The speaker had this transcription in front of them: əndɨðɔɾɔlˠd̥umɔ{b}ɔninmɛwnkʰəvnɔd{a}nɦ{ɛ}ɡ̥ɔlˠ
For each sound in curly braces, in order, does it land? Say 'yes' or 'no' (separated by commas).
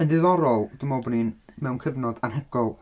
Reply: yes, yes, yes